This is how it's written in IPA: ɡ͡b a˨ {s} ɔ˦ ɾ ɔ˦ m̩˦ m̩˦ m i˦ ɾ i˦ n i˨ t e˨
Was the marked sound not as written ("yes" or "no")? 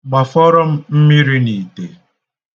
yes